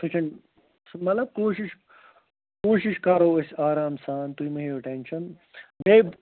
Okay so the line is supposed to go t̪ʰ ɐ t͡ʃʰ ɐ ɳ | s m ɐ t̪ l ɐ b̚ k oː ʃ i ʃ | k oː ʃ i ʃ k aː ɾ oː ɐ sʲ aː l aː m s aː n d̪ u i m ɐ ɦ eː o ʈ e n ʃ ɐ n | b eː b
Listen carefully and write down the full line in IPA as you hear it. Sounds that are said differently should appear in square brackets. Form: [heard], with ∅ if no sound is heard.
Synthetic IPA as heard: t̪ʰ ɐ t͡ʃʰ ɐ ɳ | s m ɐ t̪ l ɐ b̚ k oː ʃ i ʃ | k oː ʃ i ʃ k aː ɾ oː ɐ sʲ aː [ɾ] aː m s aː n [t̪] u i m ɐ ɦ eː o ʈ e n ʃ ɐ n | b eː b